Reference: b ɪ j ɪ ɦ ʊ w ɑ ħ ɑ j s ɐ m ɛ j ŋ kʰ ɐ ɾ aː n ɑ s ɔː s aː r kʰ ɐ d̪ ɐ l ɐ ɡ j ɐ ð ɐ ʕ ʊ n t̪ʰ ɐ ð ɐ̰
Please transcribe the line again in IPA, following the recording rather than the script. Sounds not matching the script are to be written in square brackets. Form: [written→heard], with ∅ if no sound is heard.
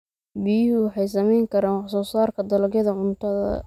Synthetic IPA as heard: b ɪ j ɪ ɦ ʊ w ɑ ħ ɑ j s ɐ m ɛ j ŋ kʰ ɐ ɾ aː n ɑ s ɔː s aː r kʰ ɐ d̪ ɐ l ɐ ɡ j ɐ ð ɐ ʕ ʊ n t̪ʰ ɐ ð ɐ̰